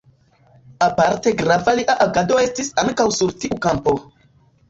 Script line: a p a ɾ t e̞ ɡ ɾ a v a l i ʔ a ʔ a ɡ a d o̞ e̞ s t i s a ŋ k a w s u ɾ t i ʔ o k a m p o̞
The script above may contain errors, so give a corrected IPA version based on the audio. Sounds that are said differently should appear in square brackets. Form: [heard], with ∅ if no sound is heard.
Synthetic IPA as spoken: a p a ɾ t e̞ ɡ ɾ a v a l i ʔ a ʔ a ɡ a d o̞ e̞ s t i s a ŋ k a w s u ɾ t i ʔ [u] k a m p o̞